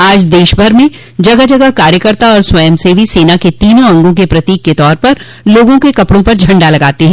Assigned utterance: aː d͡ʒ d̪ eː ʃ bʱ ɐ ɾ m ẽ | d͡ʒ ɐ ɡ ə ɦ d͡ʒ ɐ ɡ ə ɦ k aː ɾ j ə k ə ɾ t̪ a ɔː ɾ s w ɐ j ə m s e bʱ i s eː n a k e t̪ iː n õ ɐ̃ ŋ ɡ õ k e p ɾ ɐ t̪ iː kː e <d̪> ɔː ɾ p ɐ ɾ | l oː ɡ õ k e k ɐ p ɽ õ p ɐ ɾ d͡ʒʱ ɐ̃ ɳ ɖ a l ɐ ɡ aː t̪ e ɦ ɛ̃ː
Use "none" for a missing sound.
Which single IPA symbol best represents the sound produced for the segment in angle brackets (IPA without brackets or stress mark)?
t̪